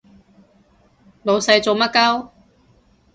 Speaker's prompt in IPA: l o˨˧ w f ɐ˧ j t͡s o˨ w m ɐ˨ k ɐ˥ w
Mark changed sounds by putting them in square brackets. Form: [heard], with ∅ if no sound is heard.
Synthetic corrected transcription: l o˨˧ w [s] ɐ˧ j t͡s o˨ w m [ɐ˥] k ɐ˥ w

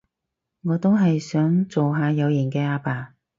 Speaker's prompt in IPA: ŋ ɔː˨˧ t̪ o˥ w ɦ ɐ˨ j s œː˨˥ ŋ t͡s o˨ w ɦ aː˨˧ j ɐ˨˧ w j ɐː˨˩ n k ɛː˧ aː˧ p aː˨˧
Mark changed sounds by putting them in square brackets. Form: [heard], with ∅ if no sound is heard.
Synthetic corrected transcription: ŋ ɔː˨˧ t̪ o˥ w ɦ ɐ˨ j s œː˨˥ ŋ t͡s o˨ w ɦ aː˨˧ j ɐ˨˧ w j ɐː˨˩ n k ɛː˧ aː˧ p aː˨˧

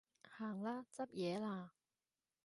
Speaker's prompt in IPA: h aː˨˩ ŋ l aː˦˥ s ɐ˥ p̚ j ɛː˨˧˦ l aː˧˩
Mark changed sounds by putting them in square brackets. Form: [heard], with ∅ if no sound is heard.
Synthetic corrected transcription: h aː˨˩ ŋ l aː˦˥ [t͡s] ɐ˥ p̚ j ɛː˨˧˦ l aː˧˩

